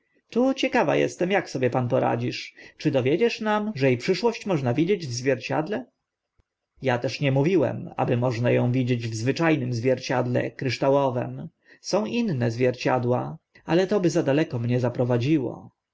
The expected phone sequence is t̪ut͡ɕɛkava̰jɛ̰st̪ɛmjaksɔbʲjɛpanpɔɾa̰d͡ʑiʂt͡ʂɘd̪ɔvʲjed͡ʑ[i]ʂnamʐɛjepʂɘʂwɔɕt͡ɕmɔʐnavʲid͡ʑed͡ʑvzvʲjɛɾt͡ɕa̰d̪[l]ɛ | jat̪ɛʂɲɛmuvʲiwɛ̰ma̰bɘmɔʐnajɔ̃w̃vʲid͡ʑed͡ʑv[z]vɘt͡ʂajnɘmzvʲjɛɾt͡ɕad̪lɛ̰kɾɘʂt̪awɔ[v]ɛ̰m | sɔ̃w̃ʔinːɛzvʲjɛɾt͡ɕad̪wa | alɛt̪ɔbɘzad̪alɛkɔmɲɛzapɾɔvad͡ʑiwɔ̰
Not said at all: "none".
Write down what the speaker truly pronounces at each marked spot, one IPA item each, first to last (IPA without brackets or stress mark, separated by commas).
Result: ɛ, l, z, v